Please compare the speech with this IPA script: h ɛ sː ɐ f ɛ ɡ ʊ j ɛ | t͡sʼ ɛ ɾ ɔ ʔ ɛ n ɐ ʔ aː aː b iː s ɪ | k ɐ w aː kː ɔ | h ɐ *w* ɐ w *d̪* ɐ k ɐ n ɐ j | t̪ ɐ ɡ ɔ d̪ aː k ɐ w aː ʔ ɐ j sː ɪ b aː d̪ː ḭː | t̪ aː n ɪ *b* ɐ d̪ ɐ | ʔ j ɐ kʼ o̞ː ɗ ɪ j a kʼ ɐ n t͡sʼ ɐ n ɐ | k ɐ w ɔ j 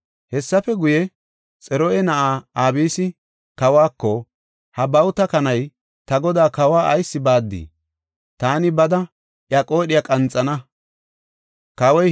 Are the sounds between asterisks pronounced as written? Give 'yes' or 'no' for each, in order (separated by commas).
no, no, yes